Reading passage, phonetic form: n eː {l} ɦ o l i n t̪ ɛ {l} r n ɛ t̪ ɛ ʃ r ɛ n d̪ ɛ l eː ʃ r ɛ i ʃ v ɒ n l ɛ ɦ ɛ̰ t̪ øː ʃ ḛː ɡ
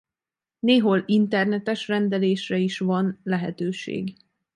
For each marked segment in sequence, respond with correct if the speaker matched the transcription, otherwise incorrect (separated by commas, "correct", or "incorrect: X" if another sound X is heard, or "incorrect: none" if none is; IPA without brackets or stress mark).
incorrect: none, incorrect: none